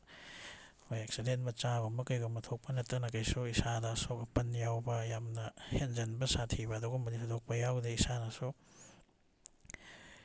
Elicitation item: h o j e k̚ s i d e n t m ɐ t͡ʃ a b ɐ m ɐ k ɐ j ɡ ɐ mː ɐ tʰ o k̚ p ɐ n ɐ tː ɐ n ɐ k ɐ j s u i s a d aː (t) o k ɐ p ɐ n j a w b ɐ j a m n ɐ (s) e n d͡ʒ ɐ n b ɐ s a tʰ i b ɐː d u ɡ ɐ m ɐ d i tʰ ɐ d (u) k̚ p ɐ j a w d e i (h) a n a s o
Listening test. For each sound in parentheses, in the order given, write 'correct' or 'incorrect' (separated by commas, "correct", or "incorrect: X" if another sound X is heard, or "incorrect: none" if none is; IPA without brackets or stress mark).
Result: incorrect: s, incorrect: h, incorrect: o, incorrect: s